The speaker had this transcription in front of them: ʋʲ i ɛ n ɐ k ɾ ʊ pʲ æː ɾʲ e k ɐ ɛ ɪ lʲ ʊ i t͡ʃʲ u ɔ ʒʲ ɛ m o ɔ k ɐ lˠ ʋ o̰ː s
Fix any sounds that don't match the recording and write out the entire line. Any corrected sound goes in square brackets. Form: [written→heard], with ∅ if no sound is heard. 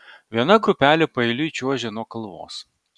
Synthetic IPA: ʋʲ i ɛ n ɐ [k→ɡ] ɾ ʊ pʲ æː [ɾʲ→lʲ] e [k→p] ɐ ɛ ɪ lʲ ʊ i t͡ʃʲ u ɔ ʒʲ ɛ [m→n] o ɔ k ɐ lˠ ʋ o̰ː s